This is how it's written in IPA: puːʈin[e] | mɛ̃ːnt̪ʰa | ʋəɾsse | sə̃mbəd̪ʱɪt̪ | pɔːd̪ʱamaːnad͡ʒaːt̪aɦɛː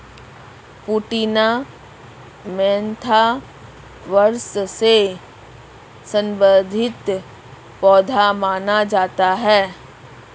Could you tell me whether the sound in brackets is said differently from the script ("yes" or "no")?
yes